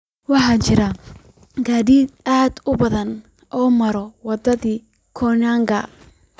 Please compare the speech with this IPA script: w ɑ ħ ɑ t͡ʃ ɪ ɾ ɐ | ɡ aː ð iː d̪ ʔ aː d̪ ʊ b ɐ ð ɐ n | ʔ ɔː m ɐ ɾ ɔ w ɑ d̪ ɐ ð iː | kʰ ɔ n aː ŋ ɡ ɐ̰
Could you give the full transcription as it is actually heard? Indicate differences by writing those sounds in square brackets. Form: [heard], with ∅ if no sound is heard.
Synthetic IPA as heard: w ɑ ħ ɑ t͡ʃ ɪ ɾ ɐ | ɡ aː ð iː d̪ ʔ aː d̪ ʊ b ɐ ð ɐ n | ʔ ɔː m ɐ ɾ ɔ w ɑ d̪ ɐ ð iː | kʰ ɔ n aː ŋ ɡ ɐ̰

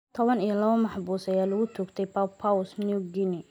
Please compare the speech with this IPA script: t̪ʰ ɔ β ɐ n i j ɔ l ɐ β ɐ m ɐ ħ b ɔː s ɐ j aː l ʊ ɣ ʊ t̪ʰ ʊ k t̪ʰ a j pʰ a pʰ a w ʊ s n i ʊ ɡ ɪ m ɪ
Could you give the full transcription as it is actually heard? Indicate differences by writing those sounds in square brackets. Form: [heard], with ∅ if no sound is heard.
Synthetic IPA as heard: t̪ʰ ɔ β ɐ n i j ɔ l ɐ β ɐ m [ɑ] ħ b [uː] s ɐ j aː l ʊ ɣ ʊ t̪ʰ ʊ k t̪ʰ [ɛ] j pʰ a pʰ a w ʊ s n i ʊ ɡ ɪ [n] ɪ

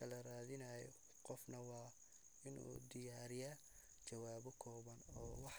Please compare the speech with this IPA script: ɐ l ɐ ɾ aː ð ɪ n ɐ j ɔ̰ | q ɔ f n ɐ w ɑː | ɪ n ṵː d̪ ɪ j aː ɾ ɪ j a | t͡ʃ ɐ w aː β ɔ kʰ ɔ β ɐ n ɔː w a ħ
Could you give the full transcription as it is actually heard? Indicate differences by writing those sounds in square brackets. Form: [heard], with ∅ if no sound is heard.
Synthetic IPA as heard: ɐ l ɐ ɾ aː ð ɪ n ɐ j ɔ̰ | q ɔ f n ɐ w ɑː | ɪ n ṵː d̪ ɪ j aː ɾ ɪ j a | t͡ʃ ɐ w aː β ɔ kʰ [ɔː] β ɐ n ɔː w [ɑ] ħ

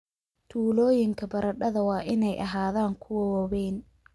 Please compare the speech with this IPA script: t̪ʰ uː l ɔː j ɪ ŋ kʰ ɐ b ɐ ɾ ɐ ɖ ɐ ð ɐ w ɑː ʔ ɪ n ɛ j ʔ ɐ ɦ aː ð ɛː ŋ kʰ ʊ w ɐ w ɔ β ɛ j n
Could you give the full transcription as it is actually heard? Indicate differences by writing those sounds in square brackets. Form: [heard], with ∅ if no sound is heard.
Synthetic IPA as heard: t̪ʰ uː l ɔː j ɪ ŋ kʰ ɐ b ɐ ɾ ɐ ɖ ɐ ð ɐ w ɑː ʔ ɪ n ɛ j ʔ ɐ ɦ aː ð [aː] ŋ kʰ ʊ w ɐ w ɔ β ɛ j n

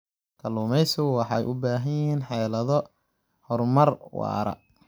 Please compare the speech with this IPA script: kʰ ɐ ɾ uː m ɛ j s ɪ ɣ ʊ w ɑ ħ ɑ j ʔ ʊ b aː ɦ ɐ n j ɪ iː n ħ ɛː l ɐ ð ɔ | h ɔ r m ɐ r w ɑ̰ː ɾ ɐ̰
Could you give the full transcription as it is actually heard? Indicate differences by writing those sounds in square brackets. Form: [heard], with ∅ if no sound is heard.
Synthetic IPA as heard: kʰ ɐ [l] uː m ɛ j s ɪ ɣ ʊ w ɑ ħ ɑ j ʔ ʊ b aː ɦ ɐ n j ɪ iː n ħ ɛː l ɐ ð ɔ | h ɔ r m ɐ r w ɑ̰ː ɾ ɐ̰

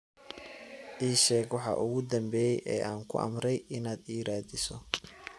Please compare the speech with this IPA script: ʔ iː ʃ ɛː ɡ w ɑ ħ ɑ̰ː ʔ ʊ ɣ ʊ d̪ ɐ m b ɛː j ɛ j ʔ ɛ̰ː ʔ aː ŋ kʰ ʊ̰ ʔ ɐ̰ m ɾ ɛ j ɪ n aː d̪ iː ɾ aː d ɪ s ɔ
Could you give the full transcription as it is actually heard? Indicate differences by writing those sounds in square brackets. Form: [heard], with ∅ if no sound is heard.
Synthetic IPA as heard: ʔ iː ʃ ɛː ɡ w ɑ ħ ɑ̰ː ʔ ʊ ɣ ʊ d̪ ɐ m b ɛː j ɛ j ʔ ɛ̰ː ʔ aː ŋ kʰ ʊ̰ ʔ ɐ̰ m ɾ ɛ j ɪ n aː d̪ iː ɾ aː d ɪ s ɔ

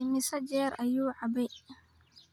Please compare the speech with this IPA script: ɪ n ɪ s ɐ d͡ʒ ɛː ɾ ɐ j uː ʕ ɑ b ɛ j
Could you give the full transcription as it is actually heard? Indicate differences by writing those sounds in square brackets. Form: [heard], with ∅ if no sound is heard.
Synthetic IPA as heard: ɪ [m] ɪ s ɐ d͡ʒ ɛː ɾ ɐ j uː ʕ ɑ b ɛ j

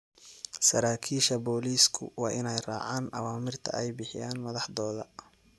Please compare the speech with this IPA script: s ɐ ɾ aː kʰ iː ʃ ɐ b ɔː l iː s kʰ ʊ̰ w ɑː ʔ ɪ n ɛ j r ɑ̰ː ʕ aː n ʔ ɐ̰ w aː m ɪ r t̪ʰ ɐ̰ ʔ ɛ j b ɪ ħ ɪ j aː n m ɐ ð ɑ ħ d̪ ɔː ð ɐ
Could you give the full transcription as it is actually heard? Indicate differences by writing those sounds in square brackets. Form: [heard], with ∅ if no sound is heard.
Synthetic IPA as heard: s ɐ ɾ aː kʰ iː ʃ ɐ b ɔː l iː s kʰ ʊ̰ w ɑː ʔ ɪ n ɛ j r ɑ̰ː ʕ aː n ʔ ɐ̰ w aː m ɪ r t̪ʰ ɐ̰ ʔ ɛ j b ɪ ħ ɪ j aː n m ɐ ð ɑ ħ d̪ ɔː ð ɐ

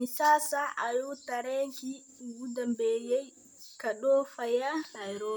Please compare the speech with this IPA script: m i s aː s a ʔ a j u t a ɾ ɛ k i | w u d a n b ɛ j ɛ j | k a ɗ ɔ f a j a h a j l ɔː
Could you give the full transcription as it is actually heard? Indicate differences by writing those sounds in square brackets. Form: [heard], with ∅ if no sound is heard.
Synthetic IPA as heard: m i s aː s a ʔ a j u t a ɾ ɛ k i | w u d a [m] b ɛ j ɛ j | k a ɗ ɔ f a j a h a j [ɾ] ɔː

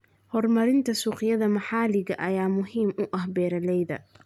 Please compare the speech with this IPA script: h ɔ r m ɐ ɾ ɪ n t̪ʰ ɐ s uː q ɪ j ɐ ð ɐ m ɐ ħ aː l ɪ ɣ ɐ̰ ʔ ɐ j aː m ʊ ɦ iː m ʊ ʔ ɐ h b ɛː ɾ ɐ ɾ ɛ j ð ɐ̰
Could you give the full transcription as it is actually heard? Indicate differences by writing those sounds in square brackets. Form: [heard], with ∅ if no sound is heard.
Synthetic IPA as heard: h ɔ r m ɐ ɾ ɪ n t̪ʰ ɐ s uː q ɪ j ɐ ð ɐ m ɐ ħ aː l ɪ ɣ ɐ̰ ʔ ɐ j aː m ʊ ɦ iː m ʊ ʔ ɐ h b ɛː ɾ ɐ [l] ɛ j ð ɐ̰

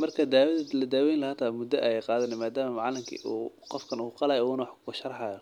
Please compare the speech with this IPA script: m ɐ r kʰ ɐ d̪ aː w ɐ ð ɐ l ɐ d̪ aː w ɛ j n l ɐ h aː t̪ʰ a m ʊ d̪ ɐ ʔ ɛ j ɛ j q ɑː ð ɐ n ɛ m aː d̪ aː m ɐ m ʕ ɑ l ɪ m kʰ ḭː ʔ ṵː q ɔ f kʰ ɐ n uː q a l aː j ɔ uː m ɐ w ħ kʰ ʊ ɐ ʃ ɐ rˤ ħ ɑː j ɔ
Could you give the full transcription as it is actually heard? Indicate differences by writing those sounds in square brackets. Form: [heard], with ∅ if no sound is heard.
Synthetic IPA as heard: m ɐ r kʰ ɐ d̪ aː w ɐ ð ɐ l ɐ d̪ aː w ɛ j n l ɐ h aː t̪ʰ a m ʊ d̪ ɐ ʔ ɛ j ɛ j q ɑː ð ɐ n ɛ m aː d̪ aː m ɐ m ʕ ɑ l ɪ m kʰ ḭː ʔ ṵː q ɔ f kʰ ɐ n uː q [ɑ] l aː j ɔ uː [n] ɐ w ħ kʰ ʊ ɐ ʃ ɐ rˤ ħ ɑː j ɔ

